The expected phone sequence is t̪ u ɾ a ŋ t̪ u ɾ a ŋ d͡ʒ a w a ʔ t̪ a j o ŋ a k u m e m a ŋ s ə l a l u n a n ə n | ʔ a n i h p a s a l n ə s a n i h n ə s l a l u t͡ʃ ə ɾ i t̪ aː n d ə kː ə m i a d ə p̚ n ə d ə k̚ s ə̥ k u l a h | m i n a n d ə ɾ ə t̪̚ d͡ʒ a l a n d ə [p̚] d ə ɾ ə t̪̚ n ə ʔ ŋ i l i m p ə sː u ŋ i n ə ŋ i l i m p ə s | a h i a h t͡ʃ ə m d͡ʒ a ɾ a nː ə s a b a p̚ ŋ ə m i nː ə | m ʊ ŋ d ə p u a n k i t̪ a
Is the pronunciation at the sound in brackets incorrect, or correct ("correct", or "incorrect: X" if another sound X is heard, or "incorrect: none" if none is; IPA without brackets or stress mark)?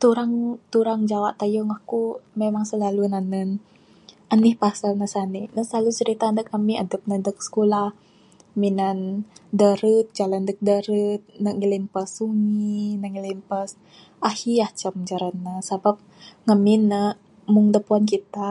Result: incorrect: k̚